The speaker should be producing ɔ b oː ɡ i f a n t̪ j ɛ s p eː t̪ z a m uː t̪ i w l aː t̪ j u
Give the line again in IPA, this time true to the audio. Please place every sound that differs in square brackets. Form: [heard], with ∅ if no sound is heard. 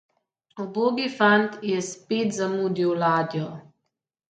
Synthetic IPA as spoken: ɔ b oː ɡ i f a n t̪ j ɛ s p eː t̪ z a m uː [d̪] i w l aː [d̪] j [ɔ]